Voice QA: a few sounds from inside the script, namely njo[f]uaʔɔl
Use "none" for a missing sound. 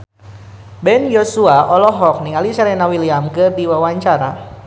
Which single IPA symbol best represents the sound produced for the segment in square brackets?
s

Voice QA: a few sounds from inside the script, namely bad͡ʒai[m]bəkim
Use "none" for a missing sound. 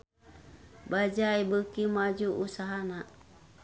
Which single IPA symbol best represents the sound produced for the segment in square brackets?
none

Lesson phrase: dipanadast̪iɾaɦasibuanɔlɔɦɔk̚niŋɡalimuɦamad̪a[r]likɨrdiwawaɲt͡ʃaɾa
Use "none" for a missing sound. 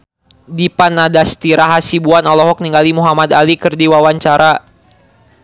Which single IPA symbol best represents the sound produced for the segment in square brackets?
none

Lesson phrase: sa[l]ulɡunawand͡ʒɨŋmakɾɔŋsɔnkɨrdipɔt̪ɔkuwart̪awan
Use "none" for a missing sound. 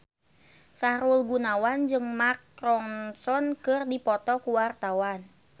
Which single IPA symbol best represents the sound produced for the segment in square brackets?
ɾ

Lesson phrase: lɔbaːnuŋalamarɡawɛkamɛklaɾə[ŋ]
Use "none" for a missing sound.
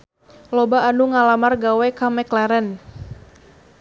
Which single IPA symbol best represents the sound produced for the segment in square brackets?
n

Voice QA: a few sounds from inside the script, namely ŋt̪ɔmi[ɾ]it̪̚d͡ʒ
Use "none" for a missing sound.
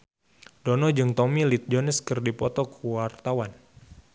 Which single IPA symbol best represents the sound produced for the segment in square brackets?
l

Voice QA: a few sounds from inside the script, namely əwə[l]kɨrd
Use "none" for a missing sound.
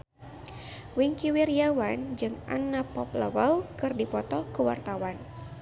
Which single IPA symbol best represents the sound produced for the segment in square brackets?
l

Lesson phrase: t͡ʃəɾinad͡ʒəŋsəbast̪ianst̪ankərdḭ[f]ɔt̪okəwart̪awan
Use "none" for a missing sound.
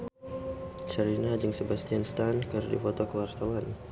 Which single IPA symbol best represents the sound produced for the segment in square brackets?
f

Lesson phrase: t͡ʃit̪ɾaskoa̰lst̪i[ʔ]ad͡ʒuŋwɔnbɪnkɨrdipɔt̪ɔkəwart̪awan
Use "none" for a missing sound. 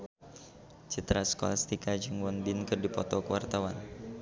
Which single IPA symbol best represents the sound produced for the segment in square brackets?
k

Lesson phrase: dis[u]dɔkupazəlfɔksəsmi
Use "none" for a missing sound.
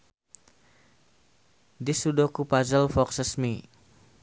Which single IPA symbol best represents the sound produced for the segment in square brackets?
u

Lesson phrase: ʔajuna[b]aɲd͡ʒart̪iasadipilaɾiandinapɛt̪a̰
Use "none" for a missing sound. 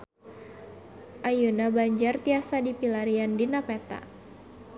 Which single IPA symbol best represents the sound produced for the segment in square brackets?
b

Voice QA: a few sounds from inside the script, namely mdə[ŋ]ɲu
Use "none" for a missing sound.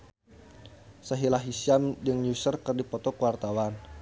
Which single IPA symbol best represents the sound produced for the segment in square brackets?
ŋ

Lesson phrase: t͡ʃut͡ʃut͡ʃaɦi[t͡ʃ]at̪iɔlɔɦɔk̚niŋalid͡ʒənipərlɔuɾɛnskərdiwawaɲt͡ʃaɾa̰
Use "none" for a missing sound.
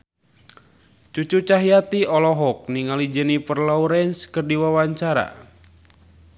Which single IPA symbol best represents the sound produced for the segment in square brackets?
none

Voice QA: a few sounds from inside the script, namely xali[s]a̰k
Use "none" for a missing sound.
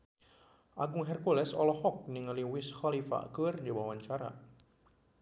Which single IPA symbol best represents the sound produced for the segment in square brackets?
f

